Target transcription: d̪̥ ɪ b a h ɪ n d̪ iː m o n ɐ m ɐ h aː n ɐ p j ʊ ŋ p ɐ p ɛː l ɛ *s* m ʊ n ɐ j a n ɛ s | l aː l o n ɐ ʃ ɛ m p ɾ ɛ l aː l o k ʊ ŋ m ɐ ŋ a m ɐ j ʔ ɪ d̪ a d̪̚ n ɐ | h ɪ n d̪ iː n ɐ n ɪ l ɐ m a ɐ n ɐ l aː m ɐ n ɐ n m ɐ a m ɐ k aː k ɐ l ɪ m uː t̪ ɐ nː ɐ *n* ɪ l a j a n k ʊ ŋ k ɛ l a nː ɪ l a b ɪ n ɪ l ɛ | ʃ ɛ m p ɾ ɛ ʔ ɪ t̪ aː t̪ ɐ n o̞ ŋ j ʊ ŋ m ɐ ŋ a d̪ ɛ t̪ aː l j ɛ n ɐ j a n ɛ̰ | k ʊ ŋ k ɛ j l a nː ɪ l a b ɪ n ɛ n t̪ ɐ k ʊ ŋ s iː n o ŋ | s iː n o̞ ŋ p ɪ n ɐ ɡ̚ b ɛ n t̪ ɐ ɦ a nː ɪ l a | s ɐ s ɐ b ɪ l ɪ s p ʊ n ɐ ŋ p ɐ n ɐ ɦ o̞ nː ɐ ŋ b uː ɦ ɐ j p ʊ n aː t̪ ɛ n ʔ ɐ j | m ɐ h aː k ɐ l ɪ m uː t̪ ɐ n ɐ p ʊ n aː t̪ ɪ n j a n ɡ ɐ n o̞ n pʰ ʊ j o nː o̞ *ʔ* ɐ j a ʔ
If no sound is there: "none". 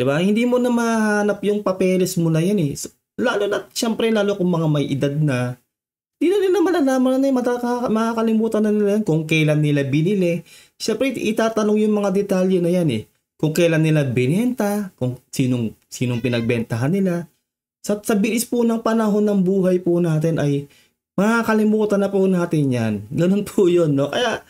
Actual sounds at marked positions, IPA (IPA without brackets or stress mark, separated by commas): s, n, k